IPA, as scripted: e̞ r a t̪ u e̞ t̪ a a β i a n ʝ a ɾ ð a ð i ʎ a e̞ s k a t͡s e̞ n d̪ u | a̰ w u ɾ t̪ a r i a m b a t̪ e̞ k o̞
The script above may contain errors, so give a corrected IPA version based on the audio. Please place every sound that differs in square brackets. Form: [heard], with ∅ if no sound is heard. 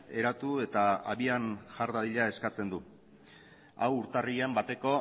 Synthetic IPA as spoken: e̞ [ɾ] a t̪ u e̞ t̪ a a β i a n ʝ a ɾ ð a ð i ʎ a e̞ s k a t͡s e̞ n d̪ u | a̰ w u ɾ t̪ a r i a m b a t̪ e̞ k o̞

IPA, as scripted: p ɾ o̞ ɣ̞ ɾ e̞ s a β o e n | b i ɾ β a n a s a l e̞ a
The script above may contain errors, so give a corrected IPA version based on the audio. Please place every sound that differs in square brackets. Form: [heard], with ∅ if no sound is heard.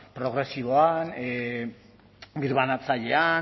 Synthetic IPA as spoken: p ɾ o̞ ɣ̞ ɾ e̞ s [i] β o [a] n | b i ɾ β a n a [t͡s] a [ʎ] e̞ a

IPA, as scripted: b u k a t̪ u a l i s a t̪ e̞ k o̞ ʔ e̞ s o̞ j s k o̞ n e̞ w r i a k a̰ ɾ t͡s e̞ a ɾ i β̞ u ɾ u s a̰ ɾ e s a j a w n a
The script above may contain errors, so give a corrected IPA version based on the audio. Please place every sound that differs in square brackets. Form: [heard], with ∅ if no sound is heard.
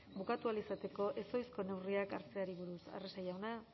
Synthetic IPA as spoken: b u k a t̪ u a l i s a t̪ e̞ k o̞ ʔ e̞ s o̞ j s k o̞ n e̞ w r i a k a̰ ɾ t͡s e̞ a ɾ i β̞ u ɾ u s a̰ [r] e s a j a w n a

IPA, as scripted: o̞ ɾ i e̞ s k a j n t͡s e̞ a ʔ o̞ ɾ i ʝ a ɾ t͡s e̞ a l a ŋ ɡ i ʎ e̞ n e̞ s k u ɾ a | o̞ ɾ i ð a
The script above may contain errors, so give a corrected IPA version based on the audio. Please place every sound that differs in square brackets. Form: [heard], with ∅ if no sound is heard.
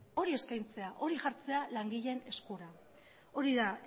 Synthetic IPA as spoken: o̞ ɾ i e̞ s k a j n t͡s e̞ a ʔ o̞ ɾ i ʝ a ɾ t͡s e̞ a l a ŋ ɡ i ʎ e̞ n e̞ s k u ɾ a | o̞ ɾ i ð a

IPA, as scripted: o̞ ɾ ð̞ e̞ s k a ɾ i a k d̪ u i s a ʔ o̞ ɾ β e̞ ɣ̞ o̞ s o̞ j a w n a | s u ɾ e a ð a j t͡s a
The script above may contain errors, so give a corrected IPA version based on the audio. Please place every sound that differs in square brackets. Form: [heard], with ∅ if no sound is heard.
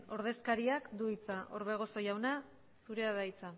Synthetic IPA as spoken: o̞ ɾ ð̞ e̞ s k a ɾ i a k d̪ u i [t͡s] a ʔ o̞ ɾ β e̞ ɣ̞ o̞ s o̞ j a w n a | s u ɾ e a ð a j t͡s a

